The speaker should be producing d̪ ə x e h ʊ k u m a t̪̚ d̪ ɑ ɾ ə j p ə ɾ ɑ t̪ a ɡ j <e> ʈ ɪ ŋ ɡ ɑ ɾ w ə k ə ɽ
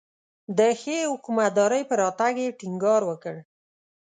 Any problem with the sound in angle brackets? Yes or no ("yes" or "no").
no